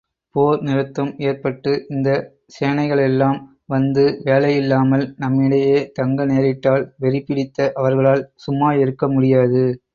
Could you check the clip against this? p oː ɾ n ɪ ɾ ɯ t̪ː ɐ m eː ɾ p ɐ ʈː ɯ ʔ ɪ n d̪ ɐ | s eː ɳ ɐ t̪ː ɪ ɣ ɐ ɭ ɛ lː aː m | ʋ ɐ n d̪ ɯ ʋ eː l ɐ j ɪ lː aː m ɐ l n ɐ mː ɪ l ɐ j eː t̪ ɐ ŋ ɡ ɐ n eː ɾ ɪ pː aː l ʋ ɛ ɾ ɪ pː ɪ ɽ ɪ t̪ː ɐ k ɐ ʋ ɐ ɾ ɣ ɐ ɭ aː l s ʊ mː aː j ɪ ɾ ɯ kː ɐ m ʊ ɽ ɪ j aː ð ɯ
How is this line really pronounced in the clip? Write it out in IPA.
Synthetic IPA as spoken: p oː ɾ n ɪ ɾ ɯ t̪ː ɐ m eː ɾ p ɐ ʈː ɯ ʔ ɪ n d̪ ɐ | s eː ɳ ɐ ɪ ɣ ɐ ɭ ɛ lː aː m | ʋ ɐ n d̪ ɯ ʋ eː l ɐ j ɪ lː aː m ɐ l n ɐ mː ɪ ɽ ɐ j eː t̪ ɐ ŋ ɡ ɐ n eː ɾ ɪ ʈː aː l ʋ ɛ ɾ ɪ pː ɪ ɽ ɪ t̪ː ɐ ʔ ɐ ʋ ɐ ɾ ɣ ɐ ɭ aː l s ʊ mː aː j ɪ ɾ ɯ kː ɐ m ʊ ɽ ɪ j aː ð ɯ